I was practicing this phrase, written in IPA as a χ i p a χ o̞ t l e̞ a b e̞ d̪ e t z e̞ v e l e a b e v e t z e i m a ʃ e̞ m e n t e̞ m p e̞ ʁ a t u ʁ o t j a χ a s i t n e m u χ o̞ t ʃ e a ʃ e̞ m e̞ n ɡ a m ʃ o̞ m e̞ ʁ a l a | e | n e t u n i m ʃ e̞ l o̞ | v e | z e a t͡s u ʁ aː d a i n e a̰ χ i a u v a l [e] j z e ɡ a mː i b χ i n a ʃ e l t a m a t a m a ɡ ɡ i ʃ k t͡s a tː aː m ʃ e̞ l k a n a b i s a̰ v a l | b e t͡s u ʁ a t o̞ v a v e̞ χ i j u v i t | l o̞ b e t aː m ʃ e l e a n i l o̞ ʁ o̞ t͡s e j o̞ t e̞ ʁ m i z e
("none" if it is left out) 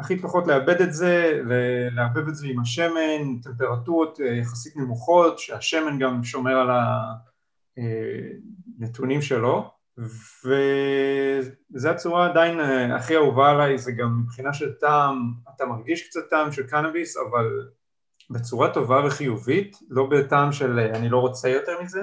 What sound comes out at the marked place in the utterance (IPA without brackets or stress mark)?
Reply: a